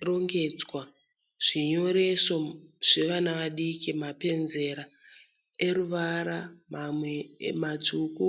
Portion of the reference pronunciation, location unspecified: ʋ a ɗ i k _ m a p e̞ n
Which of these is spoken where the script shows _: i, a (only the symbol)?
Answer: i